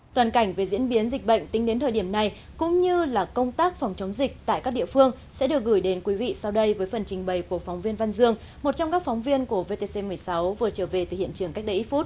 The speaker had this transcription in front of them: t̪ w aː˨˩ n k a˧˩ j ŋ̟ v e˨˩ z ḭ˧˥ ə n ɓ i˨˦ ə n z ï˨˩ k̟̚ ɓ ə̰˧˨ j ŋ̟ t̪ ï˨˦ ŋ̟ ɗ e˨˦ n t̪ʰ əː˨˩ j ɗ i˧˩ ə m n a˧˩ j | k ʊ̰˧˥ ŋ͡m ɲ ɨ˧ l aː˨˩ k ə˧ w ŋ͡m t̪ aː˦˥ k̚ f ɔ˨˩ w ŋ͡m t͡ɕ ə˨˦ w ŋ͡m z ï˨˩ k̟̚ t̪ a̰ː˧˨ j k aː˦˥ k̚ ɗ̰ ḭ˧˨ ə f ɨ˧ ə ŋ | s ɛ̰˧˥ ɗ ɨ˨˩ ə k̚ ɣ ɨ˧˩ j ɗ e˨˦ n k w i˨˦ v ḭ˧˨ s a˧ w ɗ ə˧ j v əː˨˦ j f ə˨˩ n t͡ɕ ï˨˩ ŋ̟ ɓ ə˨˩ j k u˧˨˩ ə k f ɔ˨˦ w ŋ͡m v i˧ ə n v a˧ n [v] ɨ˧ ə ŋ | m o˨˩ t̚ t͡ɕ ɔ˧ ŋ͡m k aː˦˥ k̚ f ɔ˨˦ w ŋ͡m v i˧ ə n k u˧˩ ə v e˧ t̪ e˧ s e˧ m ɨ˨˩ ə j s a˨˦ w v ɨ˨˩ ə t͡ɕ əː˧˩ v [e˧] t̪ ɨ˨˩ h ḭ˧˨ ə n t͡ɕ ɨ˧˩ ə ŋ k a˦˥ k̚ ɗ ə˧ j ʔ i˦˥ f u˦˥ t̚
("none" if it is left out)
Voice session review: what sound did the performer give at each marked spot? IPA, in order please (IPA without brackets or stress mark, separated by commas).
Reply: z, e˨˩